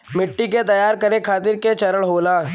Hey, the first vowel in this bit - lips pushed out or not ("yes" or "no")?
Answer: no